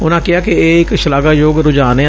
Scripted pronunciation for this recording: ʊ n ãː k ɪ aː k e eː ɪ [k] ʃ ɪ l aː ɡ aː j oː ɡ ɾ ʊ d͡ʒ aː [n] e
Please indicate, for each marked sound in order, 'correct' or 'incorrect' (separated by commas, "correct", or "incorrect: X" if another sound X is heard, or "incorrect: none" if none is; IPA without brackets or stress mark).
correct, correct